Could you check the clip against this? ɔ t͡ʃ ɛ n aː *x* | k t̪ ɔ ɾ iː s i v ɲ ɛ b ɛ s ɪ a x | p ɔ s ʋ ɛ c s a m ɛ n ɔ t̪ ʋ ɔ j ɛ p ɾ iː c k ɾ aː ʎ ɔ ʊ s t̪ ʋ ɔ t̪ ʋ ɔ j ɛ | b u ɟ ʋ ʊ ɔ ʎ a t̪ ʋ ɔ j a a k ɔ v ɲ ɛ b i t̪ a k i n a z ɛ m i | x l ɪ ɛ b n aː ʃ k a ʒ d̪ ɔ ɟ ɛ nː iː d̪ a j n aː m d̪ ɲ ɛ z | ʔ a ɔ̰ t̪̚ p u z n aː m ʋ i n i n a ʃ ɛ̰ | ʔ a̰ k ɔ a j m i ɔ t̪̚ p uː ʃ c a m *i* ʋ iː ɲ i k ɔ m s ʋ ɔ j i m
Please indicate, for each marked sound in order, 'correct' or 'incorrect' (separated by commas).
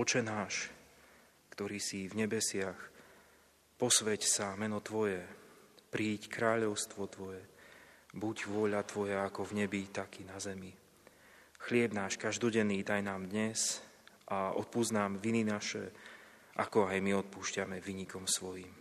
incorrect, incorrect